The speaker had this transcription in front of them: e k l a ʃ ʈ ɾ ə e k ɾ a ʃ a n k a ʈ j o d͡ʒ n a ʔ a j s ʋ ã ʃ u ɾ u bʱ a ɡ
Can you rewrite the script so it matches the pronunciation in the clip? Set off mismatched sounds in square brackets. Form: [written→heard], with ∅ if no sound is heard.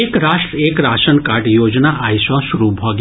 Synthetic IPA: e k [l→ɾ] a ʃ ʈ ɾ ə e k ɾ a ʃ [a→ə] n k a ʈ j o d͡ʒ n a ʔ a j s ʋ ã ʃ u ɾ u bʱ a ɡ